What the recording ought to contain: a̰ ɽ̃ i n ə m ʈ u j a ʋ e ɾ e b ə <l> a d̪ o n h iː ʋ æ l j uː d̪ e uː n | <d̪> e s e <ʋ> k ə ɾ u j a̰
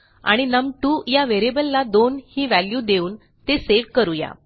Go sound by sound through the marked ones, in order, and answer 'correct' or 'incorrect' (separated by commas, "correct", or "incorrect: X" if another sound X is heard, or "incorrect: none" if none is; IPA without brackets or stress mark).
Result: incorrect: lː, incorrect: t̪, correct